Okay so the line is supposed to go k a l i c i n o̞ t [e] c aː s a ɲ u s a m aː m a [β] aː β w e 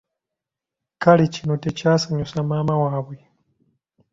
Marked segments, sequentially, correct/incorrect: correct, incorrect: w

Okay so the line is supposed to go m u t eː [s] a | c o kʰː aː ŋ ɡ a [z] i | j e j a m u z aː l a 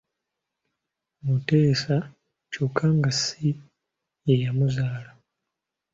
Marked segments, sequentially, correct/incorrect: correct, incorrect: s

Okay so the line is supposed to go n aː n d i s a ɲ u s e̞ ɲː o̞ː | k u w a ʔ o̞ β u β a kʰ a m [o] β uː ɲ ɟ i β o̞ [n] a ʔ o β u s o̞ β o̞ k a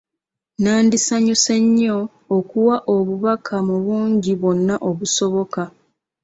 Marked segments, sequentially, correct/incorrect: incorrect: u, incorrect: nː

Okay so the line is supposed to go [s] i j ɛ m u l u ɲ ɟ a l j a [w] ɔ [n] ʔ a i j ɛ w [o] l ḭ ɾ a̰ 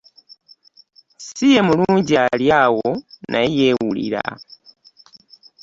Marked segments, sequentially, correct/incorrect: correct, correct, correct, incorrect: u

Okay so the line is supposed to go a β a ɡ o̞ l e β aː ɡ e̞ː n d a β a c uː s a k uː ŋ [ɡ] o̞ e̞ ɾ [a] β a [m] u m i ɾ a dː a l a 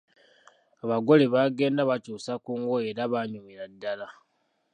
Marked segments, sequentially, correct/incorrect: correct, correct, incorrect: ɲ

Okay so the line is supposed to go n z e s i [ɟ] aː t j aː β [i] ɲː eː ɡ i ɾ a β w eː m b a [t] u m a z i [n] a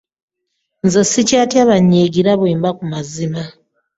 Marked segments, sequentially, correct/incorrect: incorrect: c, incorrect: a, incorrect: k, incorrect: m

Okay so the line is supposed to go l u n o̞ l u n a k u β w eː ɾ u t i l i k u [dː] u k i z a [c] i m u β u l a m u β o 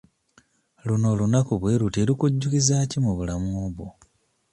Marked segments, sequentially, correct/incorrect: incorrect: ɟː, correct

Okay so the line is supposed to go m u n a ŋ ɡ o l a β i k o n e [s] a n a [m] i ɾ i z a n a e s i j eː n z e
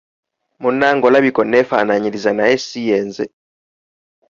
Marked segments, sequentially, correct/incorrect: incorrect: f, incorrect: ɲ

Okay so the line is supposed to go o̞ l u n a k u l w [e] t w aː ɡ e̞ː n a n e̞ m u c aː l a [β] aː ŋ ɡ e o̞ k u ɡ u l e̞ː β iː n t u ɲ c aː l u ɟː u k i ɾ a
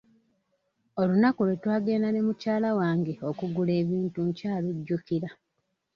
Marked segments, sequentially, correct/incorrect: correct, incorrect: w

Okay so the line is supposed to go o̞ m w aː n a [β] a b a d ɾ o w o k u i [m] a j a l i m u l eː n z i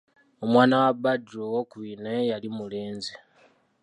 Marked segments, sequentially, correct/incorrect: incorrect: w, incorrect: n

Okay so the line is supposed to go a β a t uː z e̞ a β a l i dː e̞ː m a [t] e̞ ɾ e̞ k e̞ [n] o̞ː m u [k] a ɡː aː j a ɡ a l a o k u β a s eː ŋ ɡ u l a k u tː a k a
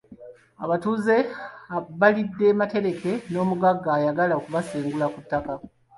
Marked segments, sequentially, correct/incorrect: correct, correct, incorrect: ɡ

